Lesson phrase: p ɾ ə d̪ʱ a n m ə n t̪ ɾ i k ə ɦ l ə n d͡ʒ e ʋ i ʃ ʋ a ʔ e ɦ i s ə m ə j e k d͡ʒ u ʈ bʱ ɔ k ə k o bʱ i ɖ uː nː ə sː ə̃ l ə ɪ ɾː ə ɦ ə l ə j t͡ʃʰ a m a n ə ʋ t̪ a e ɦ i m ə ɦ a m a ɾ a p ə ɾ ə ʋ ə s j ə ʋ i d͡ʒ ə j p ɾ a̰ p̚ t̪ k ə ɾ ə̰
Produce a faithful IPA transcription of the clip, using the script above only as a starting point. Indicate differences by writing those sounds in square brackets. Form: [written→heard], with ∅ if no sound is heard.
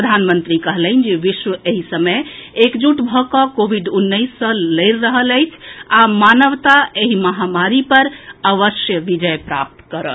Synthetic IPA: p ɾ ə d̪ʱ a n m ə n t̪ ɾ i k ə ɦ l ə n d͡ʒ e ʋ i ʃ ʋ [a→ə] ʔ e ɦ i s ə m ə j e k d͡ʒ u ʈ bʱ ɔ k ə k o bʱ i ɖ [uː→u] nː ə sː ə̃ l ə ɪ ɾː ə ɦ ə l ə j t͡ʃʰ a m a n ə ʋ t̪ a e ɦ i m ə ɦ a m a ɾ [a→i] p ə ɾ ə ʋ ə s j ə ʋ i d͡ʒ ə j p ɾ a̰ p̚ t̪ k ə ɾ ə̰